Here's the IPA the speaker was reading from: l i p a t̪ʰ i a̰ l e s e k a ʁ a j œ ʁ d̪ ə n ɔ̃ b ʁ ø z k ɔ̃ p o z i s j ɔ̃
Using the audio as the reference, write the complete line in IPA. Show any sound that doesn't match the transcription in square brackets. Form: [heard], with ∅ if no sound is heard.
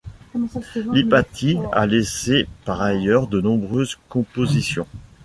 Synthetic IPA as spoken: l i p a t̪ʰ i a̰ l e s e [p] a ʁ a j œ ʁ d̪ ə n ɔ̃ b ʁ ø z k ɔ̃ p o z i s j ɔ̃